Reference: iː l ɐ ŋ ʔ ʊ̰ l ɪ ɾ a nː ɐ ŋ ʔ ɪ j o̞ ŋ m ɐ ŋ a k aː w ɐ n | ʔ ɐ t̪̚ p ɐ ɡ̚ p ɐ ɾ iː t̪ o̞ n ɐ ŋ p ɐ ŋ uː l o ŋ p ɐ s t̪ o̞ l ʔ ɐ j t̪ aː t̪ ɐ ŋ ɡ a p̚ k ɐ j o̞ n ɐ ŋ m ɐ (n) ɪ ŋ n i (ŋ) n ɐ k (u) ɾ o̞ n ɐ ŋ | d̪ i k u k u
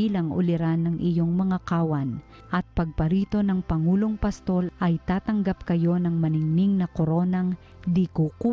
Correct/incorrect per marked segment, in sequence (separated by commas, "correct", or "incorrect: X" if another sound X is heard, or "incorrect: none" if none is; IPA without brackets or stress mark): correct, correct, incorrect: o